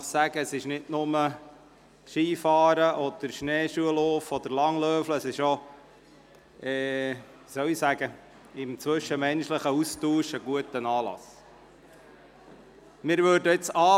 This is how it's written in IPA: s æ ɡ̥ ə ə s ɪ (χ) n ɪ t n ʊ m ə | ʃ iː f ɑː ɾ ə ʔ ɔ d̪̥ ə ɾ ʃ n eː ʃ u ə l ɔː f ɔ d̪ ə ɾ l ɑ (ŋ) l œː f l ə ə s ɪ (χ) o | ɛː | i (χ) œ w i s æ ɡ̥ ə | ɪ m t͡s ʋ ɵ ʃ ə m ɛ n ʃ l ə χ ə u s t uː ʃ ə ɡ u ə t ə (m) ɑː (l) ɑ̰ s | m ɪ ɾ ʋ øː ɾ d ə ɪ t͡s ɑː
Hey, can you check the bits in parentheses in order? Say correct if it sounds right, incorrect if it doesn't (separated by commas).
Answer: incorrect, correct, incorrect, incorrect, incorrect, correct